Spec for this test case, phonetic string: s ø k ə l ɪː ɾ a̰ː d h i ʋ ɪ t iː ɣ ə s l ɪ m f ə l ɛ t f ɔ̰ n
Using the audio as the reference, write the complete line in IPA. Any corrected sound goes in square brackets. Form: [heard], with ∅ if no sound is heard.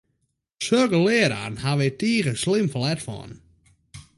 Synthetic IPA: s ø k ə l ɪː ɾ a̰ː [n] h [a] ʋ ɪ t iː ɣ ə s l ɪ m f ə l ɛ t f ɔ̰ n